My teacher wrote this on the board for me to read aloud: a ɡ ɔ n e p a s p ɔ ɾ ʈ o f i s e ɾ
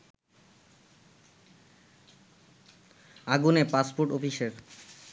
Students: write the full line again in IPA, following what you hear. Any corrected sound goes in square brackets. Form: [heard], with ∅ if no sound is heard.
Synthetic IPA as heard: a ɡ [u] n e p a s p [o] ɾ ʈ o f i [ʃ] e ɾ